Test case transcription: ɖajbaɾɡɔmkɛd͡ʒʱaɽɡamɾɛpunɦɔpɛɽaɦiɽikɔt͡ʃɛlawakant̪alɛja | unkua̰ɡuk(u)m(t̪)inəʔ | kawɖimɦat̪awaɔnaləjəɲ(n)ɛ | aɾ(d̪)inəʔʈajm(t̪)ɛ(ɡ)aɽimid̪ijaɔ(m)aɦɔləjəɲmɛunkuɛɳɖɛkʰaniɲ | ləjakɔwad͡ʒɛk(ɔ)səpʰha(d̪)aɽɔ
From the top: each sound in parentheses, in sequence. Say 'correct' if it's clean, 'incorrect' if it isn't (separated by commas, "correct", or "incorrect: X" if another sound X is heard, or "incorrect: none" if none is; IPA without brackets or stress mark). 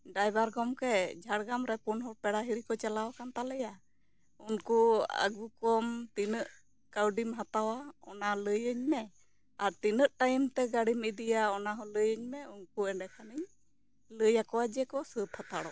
incorrect: ɔ, correct, incorrect: m, incorrect: t̪, correct, correct, incorrect: n, correct, incorrect: t̪